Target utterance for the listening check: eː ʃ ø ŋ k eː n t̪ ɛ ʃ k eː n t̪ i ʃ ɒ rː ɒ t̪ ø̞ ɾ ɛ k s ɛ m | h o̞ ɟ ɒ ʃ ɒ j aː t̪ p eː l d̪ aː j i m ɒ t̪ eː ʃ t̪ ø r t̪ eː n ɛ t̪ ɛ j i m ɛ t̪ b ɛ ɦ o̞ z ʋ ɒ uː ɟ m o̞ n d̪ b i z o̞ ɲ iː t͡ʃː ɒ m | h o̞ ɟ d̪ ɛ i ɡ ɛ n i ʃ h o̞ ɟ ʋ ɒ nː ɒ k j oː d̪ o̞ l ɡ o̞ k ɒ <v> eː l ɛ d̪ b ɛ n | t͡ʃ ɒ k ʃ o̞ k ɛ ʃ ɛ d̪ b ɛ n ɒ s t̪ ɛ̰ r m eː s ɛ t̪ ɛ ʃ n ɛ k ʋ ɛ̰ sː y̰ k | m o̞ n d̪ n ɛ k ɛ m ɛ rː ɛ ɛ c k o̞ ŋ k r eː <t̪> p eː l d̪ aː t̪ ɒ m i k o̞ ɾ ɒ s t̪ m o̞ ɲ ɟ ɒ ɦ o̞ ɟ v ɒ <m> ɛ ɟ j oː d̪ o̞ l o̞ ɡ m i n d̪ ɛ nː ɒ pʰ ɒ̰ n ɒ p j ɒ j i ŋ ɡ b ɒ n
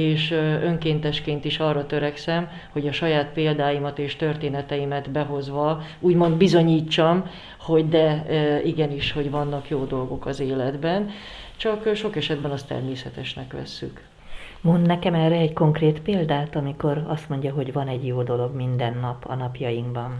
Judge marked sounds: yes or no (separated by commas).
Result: no, yes, no